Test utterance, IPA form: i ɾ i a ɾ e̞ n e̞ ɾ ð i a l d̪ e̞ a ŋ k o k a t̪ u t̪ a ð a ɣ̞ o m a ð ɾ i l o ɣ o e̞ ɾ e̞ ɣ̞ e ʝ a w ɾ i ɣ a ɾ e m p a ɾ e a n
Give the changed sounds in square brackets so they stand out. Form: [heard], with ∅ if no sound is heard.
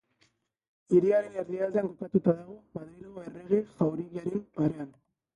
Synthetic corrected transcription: i ɾ i a ɾ e̞ n e̞ ɾ ð i a l d̪ e̞ a ŋ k o k a t̪ u t̪ a ð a ɣ̞ o m a ð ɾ i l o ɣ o e̞ [r] e̞ ɣ̞ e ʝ a w ɾ i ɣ a ɾ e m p a ɾ e a n